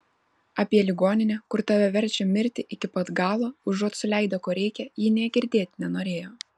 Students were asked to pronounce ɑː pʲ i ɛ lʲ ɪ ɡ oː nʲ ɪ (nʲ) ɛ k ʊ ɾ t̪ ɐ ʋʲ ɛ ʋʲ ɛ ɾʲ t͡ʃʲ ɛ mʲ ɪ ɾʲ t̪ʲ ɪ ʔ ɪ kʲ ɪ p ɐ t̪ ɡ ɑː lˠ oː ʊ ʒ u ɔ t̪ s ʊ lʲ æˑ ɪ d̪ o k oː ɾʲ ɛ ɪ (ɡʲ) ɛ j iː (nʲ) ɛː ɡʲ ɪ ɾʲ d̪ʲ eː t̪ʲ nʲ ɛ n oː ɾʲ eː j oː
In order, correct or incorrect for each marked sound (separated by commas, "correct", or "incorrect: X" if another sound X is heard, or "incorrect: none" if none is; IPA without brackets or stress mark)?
correct, incorrect: kʲ, correct